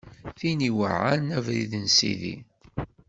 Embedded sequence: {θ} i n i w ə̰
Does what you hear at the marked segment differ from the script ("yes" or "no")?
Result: no